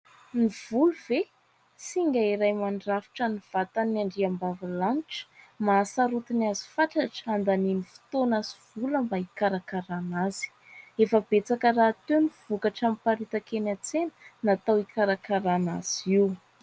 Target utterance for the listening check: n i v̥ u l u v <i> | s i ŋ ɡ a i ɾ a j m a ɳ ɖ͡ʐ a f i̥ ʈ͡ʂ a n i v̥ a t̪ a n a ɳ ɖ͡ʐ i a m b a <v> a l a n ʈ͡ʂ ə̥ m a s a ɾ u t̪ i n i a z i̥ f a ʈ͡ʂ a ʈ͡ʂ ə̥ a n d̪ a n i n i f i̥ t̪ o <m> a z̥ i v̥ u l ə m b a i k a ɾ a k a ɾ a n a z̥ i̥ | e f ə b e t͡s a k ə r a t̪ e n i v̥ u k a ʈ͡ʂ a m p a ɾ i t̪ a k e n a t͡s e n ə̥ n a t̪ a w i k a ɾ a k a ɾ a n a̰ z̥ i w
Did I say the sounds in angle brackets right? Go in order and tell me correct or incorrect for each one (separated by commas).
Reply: incorrect, correct, incorrect